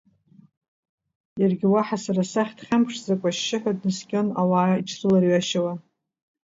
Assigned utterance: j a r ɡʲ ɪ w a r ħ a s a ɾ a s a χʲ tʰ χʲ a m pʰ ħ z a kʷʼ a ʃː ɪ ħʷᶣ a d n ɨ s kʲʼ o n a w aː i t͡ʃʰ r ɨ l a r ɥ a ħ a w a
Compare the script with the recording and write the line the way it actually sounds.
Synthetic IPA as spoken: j a r ɡʲ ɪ w a ħ a s a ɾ a s a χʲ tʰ χʲ a m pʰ ʂ z a kʷʼ a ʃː ɪ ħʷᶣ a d n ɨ s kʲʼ o n a w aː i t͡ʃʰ r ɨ l a r ɥ a ʃ a w a